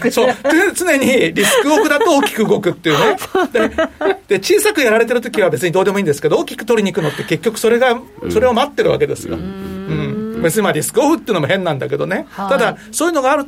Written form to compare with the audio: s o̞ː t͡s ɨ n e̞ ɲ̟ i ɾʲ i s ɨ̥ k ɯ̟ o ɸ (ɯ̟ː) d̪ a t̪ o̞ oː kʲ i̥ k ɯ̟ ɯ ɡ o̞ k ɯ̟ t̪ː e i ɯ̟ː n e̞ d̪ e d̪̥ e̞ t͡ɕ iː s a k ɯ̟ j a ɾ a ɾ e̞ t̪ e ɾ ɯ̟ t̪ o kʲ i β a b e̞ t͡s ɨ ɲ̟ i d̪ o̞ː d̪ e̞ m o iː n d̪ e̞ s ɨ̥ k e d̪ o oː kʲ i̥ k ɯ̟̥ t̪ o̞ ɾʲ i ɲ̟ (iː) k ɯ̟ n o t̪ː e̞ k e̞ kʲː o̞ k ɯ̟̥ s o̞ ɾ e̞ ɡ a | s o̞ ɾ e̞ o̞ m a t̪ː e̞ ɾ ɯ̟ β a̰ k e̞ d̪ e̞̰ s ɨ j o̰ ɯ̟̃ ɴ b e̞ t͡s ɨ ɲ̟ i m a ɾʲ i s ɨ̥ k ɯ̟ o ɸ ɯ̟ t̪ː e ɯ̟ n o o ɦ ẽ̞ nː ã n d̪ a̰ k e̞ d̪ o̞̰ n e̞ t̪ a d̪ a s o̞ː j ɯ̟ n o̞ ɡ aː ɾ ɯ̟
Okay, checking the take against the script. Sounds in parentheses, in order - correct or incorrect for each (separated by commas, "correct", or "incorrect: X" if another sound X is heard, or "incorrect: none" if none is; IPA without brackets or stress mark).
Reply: incorrect: ɯ̟, incorrect: i